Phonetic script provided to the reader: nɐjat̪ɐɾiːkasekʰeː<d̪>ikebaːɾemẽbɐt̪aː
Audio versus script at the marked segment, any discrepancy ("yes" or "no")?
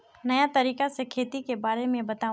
yes